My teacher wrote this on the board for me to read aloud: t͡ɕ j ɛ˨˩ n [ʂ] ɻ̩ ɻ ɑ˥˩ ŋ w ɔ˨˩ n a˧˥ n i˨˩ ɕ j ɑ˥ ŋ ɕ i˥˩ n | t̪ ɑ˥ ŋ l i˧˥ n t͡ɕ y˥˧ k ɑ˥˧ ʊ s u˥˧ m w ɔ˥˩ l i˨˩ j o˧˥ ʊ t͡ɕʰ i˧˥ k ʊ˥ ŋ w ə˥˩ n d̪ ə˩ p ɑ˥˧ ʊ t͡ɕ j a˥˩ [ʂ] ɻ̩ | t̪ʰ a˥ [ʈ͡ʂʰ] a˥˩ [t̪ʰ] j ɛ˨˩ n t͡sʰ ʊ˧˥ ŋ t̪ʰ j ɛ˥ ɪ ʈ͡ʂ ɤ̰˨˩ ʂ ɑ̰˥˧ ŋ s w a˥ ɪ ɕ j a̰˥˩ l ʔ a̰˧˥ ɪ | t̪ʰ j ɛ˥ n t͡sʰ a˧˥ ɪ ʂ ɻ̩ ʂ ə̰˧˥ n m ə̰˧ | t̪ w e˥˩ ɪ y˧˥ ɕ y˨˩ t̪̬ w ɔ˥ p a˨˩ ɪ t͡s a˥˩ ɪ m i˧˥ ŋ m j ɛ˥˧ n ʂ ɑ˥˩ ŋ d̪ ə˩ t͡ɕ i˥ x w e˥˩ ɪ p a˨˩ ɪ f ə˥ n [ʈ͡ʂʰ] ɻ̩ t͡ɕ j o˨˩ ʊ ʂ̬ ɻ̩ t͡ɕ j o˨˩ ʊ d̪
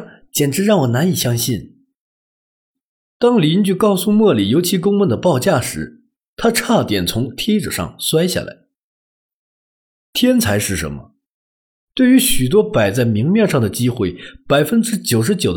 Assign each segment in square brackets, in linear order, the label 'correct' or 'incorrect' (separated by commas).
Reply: incorrect, correct, correct, incorrect, incorrect